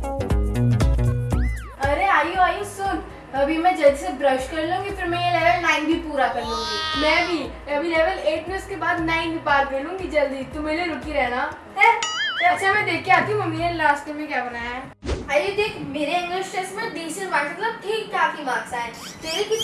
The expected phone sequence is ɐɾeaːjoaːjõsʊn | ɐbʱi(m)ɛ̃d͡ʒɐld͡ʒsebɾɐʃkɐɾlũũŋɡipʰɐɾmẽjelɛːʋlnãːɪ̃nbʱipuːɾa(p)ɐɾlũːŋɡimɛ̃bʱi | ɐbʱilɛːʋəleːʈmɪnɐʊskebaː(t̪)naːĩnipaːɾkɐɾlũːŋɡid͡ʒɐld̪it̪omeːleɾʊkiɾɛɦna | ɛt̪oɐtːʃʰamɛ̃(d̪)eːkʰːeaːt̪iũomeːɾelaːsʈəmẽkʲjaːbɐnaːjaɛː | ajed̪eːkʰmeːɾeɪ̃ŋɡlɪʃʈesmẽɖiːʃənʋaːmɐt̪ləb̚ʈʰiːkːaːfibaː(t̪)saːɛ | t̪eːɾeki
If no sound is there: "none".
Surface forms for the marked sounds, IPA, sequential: m, k, d̪, d̪, t̪

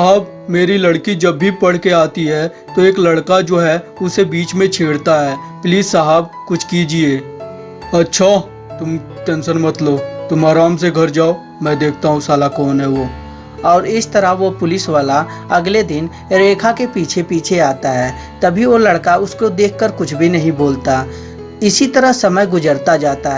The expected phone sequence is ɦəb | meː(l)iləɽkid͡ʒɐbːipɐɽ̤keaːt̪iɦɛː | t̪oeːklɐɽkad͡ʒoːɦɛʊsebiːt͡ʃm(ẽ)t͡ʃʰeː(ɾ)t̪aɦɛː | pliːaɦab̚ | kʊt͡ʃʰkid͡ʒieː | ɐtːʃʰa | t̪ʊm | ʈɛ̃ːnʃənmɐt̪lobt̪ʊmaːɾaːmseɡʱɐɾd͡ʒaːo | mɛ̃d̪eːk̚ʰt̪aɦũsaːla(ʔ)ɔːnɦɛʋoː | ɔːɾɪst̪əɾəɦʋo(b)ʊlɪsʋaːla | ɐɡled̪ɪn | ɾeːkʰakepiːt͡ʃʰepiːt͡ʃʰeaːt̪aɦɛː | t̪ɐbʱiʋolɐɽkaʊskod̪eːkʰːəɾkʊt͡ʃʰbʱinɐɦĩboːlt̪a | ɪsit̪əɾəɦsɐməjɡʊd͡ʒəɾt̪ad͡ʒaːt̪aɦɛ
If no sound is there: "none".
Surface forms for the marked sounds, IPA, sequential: ɾ, ẽ, ɽ, k, p

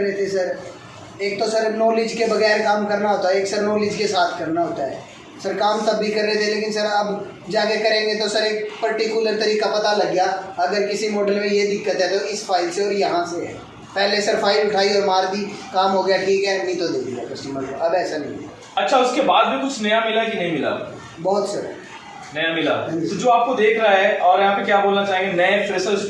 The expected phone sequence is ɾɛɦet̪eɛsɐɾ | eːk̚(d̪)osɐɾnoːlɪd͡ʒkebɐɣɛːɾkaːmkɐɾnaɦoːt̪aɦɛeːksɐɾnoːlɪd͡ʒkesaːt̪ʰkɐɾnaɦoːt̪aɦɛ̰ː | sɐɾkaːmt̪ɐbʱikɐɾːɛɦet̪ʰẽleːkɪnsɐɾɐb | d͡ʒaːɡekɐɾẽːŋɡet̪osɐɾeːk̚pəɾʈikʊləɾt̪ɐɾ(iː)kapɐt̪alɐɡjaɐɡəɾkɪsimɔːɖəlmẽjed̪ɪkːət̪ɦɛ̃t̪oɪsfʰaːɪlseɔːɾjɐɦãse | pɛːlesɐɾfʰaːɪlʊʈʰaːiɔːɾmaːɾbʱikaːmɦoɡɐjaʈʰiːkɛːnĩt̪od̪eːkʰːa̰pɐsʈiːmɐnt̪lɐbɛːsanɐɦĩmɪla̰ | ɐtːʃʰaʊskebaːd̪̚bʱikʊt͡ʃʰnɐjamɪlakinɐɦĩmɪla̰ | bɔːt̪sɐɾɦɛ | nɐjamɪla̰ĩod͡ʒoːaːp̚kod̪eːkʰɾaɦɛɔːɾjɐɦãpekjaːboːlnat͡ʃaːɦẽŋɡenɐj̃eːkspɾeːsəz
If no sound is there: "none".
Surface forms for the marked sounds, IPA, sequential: t̪, iː

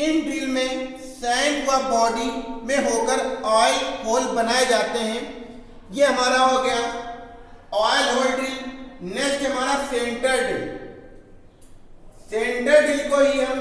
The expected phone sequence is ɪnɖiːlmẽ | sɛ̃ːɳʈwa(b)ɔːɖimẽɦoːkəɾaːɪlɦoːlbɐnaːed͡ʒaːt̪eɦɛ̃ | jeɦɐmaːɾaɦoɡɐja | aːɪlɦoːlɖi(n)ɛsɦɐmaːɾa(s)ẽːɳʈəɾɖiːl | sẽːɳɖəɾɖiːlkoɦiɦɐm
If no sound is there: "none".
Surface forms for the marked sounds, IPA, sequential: b, n, s

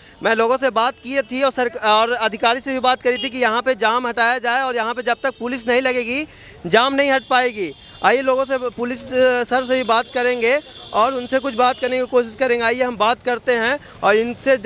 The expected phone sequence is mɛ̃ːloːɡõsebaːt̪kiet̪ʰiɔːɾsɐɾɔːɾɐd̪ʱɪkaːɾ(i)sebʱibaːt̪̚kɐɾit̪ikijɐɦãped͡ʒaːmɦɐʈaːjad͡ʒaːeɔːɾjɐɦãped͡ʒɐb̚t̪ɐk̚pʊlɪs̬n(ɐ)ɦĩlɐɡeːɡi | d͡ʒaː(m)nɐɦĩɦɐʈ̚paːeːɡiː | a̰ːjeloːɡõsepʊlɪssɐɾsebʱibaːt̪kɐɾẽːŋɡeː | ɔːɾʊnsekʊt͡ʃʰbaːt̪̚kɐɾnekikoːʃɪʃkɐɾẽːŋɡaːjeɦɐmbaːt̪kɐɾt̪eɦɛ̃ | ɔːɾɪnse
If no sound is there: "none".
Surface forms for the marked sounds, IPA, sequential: i, ɐ, m

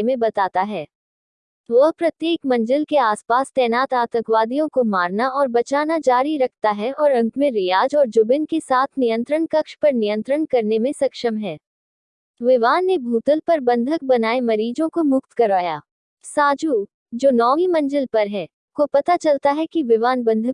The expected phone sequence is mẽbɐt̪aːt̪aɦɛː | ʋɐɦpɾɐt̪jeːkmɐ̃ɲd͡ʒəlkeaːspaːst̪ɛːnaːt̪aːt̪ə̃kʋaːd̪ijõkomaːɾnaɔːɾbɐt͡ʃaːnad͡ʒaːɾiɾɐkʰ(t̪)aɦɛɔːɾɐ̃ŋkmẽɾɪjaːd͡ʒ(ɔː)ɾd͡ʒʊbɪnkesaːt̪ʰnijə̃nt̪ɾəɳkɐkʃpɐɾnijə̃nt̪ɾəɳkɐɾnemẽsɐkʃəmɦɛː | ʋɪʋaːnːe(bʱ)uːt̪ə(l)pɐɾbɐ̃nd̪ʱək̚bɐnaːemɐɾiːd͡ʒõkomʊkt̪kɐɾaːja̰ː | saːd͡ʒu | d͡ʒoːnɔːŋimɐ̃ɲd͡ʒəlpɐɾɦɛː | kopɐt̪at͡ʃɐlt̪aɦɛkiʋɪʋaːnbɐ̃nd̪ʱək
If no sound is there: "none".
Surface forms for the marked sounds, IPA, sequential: t̪, ɔː, bʱ, l

